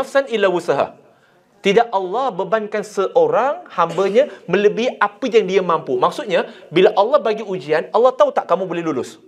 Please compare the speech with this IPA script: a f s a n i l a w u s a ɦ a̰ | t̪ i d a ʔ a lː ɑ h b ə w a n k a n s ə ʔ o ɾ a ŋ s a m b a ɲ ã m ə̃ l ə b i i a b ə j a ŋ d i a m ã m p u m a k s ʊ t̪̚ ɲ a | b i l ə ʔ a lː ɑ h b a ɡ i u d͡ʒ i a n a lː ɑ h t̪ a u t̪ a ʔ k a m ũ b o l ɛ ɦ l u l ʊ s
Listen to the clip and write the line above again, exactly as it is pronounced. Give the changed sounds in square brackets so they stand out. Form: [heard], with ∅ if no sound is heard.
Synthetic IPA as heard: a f s a n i l a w u s a ɦ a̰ | t̪ i d a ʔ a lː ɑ h b ə [b] a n k a n s ə ʔ o ɾ a ŋ [h] a m b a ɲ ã m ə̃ l ə b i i a [p] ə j a ŋ d i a m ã m p u m a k s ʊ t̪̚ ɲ a | b i l [a] ʔ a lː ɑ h b a ɡ i u d͡ʒ i a n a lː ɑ h t̪ a u t̪ a ʔ k a m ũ b o l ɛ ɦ l u l ʊ s